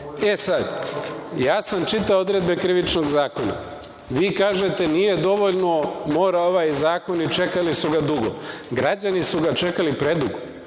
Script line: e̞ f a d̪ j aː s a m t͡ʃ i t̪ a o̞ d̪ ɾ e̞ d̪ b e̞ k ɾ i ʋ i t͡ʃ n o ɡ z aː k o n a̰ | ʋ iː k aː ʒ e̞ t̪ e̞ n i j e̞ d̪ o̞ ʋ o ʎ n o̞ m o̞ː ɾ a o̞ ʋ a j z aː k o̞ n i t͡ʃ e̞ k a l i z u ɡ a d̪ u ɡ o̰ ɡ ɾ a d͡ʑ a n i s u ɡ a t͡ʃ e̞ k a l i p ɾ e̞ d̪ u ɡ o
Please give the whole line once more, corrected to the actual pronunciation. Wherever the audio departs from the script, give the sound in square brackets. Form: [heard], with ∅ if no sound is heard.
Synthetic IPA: e̞ [s] a d̪ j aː s a m t͡ʃ i t̪ a o̞ d̪ ɾ e̞ d̪ b e̞ k ɾ i ʋ i t͡ʃ n o ɡ z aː k o n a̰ | ʋ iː k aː ʒ e̞ t̪ e̞ n i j e̞ d̪ o̞ ʋ o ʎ n o̞ m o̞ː ɾ a o̞ ʋ a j z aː k o̞ n i t͡ʃ e̞ k a l i [s] u ɡ a d̪ u ɡ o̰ ɡ ɾ a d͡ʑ a n i s u ɡ a t͡ʃ e̞ k a l i p ɾ e̞ d̪ u ɡ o

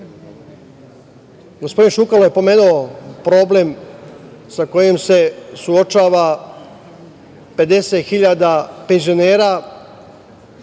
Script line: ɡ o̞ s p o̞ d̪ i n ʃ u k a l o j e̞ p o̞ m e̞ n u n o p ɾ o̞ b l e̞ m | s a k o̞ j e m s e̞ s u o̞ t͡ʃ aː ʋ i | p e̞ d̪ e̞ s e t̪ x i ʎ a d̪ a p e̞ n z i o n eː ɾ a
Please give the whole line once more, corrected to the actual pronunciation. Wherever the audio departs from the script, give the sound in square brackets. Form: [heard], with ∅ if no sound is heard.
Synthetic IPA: ɡ o̞ s p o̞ d̪ i n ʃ u k a l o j e̞ p o̞ m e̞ n u [∅] o p ɾ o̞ b l e̞ m | s a k o̞ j e m s e̞ s u o̞ t͡ʃ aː ʋ [a] | p e̞ d̪ e̞ s e t̪ x i ʎ a d̪ a p e̞ n z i o n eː ɾ a

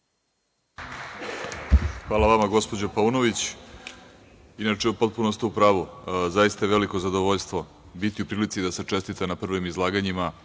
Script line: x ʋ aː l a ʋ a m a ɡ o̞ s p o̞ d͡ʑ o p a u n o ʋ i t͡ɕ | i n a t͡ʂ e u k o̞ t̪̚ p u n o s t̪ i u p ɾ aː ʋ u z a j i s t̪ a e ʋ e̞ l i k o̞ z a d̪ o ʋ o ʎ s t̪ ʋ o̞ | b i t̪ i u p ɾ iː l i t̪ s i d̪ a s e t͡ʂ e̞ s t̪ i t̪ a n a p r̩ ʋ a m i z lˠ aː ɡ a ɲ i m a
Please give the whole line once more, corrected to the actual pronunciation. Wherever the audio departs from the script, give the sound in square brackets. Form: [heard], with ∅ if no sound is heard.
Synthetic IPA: x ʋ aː l a ʋ a m a ɡ o̞ s p o̞ d͡ʑ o p a u n o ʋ i t͡ɕ | i n a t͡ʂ e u [p] o̞ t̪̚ p u n o s t̪ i u p ɾ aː ʋ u z a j i s t̪ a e ʋ e̞ l i k o̞ z a d̪ o ʋ o ʎ s t̪ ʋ o̞ | b i t̪ i u p ɾ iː l i t̪ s i d̪ a s e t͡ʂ e̞ s t̪ i t̪ a n a p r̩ ʋ [i] m i z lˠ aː ɡ a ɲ i m a

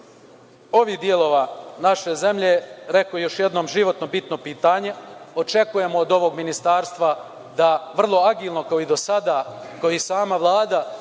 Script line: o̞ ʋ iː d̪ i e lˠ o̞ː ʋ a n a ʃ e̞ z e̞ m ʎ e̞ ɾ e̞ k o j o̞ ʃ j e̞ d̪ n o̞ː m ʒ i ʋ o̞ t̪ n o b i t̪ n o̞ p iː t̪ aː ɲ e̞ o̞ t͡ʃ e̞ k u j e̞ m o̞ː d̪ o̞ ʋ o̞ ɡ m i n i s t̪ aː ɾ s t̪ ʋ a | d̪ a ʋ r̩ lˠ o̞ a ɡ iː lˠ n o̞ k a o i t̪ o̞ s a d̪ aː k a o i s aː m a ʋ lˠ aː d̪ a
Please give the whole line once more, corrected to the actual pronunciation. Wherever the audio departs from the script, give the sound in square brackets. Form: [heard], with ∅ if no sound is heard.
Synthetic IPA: o̞ ʋ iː d̪ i e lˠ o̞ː ʋ a n a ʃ e̞ z e̞ m ʎ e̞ ɾ e̞ k o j o̞ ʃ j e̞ d̪ n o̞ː m ʒ i ʋ o̞ t̪ n o b i t̪ n o̞ p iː t̪ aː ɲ e̞ o̞ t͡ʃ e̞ k u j e̞ m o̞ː d̪ o̞ ʋ o̞ ɡ m i n i s t̪ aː ɾ s t̪ ʋ a | d̪ a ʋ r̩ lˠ o̞ a ɡ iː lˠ n o̞ k a o i [d̪] o̞ s a d̪ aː k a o i s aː m a ʋ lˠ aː d̪ a

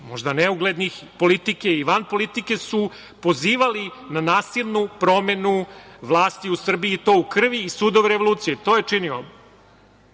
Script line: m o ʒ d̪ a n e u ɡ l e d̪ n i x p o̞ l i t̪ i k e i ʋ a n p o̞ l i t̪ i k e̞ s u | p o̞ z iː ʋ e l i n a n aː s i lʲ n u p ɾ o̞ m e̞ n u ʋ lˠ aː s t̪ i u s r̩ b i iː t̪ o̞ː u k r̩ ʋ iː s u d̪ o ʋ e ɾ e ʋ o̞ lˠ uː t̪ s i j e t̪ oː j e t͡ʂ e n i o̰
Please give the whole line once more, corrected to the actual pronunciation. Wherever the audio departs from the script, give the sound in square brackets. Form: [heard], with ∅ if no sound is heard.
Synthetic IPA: m o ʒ d̪ a n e u ɡ l e d̪ n i x p o̞ l i t̪ i k e i ʋ a n p o̞ l i t̪ i k e̞ s u | p o̞ z iː ʋ [a] l i n a n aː s i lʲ n u p ɾ o̞ m e̞ n u ʋ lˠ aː s t̪ i u s r̩ b i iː t̪ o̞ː u k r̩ ʋ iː s u d̪ o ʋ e ɾ e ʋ o̞ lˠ uː t̪ s i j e t̪ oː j e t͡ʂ [i] n i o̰

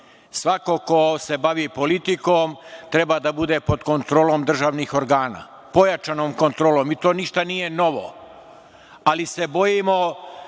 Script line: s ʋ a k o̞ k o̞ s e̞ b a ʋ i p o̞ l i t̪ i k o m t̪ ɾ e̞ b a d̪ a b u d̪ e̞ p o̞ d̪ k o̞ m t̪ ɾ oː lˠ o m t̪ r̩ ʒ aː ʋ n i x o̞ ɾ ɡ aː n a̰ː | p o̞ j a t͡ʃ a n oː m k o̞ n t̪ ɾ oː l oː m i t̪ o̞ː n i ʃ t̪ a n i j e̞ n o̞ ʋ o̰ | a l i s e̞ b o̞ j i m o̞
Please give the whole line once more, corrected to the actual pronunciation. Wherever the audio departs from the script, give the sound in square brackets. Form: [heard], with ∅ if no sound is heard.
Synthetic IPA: s ʋ a k o̞ k o̞ s e̞ b a ʋ i p o̞ l i t̪ i k o m t̪ ɾ e̞ b a d̪ a b u d̪ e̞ p o̞ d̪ k o̞ [n] t̪ ɾ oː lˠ o m [d̪] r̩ ʒ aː ʋ n i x o̞ ɾ ɡ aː n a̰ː | p o̞ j a t͡ʃ a n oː m k o̞ n t̪ ɾ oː l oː m i t̪ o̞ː n i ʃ t̪ a n i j e̞ n o̞ ʋ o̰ | a l i s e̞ b o̞ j i m o̞

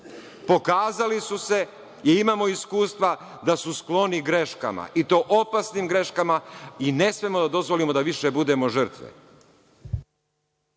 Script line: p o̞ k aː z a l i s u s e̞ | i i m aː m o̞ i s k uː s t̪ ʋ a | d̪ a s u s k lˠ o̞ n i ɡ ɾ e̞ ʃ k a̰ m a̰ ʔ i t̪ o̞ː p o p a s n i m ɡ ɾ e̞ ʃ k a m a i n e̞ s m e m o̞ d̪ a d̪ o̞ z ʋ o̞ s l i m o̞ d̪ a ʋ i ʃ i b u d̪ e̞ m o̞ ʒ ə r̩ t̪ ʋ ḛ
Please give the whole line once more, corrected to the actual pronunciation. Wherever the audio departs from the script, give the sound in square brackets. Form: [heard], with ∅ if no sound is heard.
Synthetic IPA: p o̞ k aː z a l i s u s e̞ | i i m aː m o̞ i s k uː s t̪ ʋ a | d̪ a s u s k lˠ o̞ n i ɡ ɾ e̞ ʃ k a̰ m a̰ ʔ i t̪ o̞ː [ʔ] o p a s n i m ɡ ɾ e̞ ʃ k a m a i n e̞ s m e m o̞ d̪ a d̪ o̞ z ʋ o̞ [∅] l i m o̞ d̪ a ʋ i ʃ [e] b u d̪ e̞ m o̞ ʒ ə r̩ t̪ ʋ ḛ

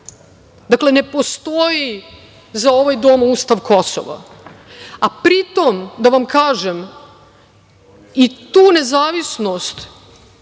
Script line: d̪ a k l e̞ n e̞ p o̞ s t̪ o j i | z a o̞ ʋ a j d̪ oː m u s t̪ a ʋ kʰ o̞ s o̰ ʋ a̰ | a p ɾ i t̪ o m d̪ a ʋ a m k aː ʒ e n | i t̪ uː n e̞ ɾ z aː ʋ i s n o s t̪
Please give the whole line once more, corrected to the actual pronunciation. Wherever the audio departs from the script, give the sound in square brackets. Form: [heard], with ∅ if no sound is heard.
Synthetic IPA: d̪ a k l e̞ n e̞ p o̞ s t̪ o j i | z a o̞ ʋ a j d̪ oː m u s t̪ a ʋ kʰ o̞ s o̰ ʋ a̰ | a p ɾ i t̪ o m d̪ a ʋ a m k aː ʒ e [m] | i t̪ uː n e̞ [∅] z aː ʋ i s n o s t̪

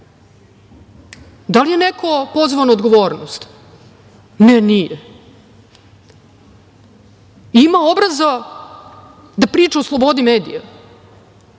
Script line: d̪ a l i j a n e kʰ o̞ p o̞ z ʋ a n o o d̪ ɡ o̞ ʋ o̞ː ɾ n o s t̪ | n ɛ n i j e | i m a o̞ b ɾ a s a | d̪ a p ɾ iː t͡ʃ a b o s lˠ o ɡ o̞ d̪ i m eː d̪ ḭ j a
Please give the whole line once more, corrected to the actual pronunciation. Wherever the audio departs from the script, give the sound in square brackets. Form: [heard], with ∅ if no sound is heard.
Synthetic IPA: d̪ a l i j [e] n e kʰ o̞ p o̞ z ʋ a n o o d̪ ɡ o̞ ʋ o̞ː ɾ n o s t̪ | n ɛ n i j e | i m a o̞ b ɾ a [z] a | d̪ a p ɾ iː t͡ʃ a [∅] o s lˠ o [b] o̞ d̪ i m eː d̪ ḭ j a

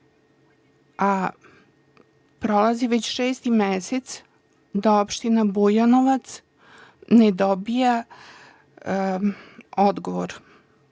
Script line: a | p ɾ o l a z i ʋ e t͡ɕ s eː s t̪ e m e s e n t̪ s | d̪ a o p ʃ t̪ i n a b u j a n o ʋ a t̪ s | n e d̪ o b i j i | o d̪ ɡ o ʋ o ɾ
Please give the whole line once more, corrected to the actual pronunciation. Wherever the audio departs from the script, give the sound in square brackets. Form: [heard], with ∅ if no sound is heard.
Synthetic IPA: a | p ɾ o l a z i ʋ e t͡ɕ [ʃ] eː s t̪ [i] m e s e [∅] t̪ s | d̪ a o p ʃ t̪ i n a b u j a n o ʋ a t̪ s | n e d̪ o b i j [a] | o d̪ ɡ o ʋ o ɾ

